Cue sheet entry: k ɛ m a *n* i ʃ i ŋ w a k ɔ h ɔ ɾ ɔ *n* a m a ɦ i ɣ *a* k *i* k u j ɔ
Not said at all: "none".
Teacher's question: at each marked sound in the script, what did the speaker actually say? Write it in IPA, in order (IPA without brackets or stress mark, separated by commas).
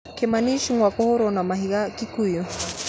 n, n, a, i